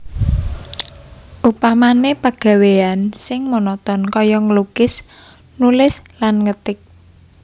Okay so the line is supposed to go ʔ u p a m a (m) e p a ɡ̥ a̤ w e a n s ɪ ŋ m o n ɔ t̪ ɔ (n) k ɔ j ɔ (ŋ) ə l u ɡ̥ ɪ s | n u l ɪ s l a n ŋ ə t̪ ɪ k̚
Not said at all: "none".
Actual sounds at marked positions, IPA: n, n, ŋ

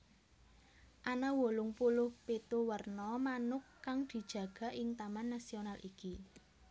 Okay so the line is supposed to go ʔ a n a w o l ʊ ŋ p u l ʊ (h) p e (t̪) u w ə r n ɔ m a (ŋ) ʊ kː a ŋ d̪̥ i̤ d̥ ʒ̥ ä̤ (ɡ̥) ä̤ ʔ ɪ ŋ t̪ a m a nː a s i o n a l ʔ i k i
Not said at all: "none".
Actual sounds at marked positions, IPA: h, t̪, n, ɡ̥

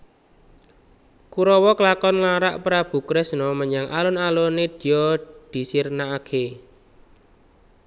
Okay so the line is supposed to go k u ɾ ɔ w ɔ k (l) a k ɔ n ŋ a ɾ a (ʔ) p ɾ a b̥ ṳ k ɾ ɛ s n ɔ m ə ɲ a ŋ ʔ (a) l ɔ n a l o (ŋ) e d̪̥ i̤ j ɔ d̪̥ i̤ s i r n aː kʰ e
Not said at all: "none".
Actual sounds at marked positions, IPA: l, ʔ, a, n

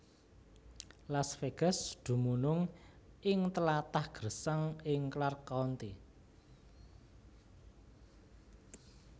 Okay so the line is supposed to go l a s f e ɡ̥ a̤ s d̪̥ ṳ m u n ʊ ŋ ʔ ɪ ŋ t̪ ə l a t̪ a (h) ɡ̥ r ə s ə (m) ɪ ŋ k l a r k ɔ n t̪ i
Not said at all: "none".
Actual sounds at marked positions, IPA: h, ŋ

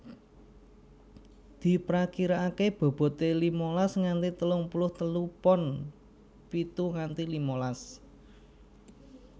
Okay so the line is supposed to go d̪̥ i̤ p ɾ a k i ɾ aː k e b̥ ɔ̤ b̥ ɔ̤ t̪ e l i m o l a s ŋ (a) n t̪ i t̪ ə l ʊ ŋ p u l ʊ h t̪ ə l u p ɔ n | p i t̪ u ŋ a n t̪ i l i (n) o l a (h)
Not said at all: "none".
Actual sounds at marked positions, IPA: a, m, s

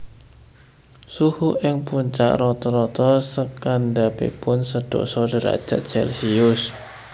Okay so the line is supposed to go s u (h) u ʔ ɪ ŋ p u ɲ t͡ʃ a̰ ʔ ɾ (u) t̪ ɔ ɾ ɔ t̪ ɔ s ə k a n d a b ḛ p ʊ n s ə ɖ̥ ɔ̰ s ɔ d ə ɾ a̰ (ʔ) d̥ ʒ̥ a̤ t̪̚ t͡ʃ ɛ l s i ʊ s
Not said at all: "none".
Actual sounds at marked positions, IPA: h, ɔ, none

